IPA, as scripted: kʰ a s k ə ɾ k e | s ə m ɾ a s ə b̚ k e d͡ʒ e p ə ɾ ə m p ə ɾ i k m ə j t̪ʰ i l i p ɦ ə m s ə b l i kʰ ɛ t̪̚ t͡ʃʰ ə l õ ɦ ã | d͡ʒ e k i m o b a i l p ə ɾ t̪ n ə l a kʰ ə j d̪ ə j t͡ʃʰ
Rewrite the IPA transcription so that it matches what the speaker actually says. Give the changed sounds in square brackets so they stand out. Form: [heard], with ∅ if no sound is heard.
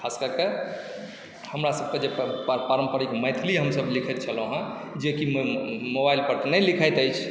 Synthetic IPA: kʰ a s k ə ɾ k e | [h] ə m ɾ a s ə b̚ k e d͡ʒ e p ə ɾ ə m p ə ɾ i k m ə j t̪ʰ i l i [∅] ɦ ə m s ə b l i kʰ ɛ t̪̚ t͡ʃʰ ə l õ ɦ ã | d͡ʒ e k i m o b a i l p ə ɾ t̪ n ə l [i] kʰ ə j [t̪] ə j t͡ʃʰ